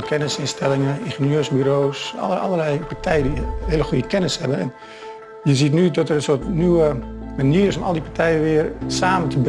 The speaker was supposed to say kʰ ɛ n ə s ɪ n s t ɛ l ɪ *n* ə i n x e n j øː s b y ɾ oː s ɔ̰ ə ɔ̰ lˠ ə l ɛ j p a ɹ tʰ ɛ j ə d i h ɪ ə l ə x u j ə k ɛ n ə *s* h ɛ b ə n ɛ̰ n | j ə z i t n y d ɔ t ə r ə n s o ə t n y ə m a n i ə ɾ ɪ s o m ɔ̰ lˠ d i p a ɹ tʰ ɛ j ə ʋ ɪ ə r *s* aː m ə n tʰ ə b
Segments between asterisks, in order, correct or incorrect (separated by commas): incorrect, correct, correct